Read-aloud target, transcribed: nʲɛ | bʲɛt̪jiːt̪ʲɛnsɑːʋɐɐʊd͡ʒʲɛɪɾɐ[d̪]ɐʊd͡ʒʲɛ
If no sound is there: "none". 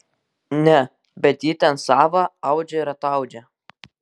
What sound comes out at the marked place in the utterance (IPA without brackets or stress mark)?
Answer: t̪